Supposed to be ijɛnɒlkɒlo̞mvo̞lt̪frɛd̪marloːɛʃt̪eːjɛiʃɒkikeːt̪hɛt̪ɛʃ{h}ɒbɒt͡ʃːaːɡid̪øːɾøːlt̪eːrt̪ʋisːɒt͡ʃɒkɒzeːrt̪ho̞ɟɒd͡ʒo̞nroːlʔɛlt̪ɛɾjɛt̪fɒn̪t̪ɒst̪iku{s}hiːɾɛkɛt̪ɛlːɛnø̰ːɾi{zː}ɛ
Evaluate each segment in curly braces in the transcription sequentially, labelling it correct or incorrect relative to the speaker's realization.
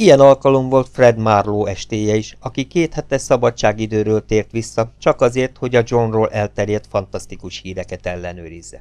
incorrect: s, incorrect: ʃ, correct

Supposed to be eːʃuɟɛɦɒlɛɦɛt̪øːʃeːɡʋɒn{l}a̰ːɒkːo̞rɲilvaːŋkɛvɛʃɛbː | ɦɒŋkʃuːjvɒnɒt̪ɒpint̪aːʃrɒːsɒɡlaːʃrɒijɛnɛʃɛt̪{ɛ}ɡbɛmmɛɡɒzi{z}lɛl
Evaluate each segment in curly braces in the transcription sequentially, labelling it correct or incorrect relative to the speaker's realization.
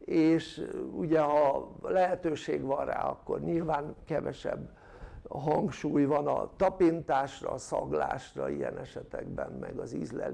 incorrect: r, correct, correct

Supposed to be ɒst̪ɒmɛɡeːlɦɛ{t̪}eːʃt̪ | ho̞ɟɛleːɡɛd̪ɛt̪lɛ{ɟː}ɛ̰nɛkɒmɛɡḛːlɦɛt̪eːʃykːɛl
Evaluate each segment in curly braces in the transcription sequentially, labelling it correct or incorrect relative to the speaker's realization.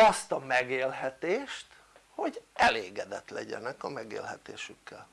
correct, incorrect: ɟ

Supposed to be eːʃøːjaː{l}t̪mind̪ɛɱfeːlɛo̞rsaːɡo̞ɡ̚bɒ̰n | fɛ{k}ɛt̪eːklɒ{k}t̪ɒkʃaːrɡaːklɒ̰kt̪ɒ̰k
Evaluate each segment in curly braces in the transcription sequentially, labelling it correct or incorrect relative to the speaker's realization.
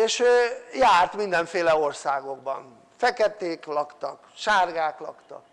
incorrect: r, correct, correct

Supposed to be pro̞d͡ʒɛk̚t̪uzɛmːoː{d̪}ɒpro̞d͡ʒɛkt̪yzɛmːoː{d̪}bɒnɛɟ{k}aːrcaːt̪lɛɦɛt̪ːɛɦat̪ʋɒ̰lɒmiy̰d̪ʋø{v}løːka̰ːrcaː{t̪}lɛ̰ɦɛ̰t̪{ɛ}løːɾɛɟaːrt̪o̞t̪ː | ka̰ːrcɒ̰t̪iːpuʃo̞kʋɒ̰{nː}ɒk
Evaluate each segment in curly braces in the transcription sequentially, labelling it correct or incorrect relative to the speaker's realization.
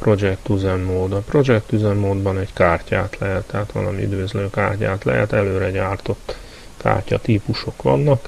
correct, correct, correct, incorrect: z, correct, correct, correct

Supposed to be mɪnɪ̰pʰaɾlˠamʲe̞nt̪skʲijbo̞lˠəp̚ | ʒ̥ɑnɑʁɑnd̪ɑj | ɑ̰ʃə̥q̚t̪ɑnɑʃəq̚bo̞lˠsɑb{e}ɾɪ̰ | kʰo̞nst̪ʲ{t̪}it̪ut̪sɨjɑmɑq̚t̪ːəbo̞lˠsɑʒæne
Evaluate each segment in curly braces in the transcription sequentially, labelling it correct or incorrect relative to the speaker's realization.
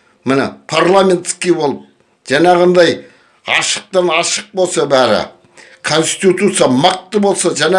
incorrect: æ, correct

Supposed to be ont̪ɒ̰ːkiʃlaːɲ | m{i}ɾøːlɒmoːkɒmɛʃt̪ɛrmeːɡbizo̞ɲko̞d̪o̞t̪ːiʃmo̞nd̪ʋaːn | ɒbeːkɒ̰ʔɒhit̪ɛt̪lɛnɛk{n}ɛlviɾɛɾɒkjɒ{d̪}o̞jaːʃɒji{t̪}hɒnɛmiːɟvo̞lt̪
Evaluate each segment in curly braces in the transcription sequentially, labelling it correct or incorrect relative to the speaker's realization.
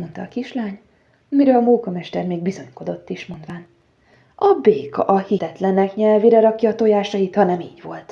correct, incorrect: ɲ, incorrect: t̪, correct

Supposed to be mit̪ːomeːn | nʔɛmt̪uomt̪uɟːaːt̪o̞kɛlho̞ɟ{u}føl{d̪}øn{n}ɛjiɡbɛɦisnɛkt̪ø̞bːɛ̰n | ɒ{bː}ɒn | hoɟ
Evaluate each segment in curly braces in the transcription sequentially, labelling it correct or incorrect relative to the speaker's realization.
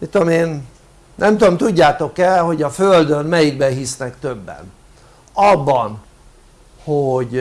incorrect: ɒ, correct, incorrect: m, correct

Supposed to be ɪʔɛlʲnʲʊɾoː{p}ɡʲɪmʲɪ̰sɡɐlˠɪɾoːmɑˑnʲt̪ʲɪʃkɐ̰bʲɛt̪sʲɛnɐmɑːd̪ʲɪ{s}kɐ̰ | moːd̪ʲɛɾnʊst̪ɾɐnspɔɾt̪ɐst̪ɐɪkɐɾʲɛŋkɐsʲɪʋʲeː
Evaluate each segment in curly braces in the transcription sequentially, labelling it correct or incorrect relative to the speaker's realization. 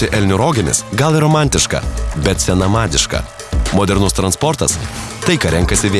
incorrect: none, incorrect: ʃ

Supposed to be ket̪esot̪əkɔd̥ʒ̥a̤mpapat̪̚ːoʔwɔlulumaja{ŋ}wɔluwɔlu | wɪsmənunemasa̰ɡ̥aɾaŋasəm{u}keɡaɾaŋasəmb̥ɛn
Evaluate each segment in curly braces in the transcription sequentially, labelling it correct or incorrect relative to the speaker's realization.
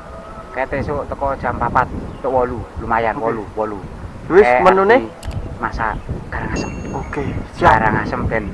incorrect: n, incorrect: o

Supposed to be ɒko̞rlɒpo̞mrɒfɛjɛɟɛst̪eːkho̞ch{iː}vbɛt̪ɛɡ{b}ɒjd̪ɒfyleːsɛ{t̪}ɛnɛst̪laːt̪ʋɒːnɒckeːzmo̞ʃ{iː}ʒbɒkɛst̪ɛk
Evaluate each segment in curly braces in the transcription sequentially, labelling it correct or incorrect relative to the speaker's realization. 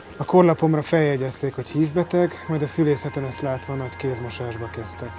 correct, incorrect: m, correct, incorrect: aː

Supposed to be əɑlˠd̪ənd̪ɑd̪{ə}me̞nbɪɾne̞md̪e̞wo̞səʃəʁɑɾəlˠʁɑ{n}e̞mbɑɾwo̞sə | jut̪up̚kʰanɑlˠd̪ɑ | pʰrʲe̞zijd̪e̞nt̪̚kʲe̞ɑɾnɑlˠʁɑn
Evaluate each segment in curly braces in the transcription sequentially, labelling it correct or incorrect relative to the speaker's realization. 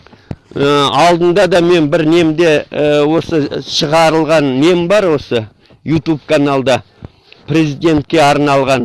incorrect: ɑ, incorrect: nː

